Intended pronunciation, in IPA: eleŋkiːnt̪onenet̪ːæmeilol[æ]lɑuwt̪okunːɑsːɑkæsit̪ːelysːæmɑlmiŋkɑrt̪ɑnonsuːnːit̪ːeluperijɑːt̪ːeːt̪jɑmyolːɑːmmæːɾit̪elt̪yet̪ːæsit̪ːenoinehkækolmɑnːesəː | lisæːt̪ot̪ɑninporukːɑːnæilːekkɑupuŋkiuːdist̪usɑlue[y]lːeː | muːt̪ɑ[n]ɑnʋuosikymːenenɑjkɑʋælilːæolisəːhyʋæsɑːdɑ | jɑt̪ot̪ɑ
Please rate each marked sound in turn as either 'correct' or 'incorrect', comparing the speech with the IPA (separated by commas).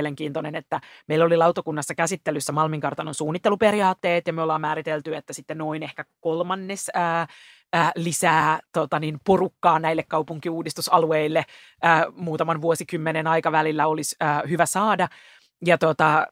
incorrect, incorrect, incorrect